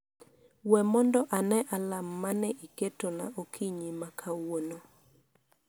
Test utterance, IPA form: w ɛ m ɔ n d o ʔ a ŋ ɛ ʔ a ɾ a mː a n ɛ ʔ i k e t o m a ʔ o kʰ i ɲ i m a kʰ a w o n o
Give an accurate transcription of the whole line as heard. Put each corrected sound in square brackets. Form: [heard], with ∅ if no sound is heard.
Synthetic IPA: w ɛ m ɔ n d [ɔ] ʔ a [n] ɛ ʔ a [l] a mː a n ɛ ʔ i k e t o [n] a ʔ o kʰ i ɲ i m a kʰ a w o n o